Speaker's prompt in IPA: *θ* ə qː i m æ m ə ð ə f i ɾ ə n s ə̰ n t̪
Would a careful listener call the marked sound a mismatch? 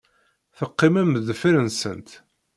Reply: no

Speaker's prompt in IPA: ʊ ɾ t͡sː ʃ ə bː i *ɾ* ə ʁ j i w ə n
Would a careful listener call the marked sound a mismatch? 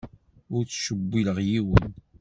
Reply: yes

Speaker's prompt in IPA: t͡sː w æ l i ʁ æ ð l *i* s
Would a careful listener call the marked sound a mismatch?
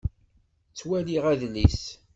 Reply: no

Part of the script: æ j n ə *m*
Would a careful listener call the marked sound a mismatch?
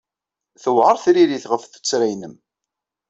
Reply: no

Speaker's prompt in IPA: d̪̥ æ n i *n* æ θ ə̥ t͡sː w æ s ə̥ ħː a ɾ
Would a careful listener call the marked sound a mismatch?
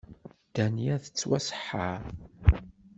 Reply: yes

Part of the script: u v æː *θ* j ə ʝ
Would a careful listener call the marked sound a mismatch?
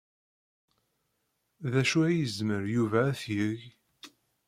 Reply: no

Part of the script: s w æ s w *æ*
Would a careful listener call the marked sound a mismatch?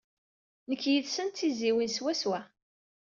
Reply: no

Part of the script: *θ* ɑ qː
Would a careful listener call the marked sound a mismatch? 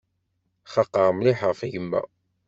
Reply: yes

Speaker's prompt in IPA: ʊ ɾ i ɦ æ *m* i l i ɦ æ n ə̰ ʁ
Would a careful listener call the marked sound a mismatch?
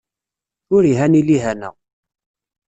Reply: yes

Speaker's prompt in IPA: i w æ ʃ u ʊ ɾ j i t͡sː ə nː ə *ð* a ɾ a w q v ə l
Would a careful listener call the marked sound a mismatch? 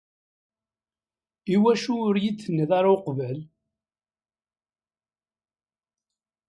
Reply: no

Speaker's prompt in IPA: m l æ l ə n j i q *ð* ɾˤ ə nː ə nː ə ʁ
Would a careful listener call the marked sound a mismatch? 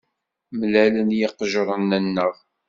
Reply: yes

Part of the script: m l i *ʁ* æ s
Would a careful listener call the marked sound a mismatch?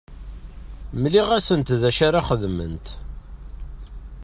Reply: no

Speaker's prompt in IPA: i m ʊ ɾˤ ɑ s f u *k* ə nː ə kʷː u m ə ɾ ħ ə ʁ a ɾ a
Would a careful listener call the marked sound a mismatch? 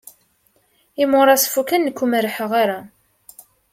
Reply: no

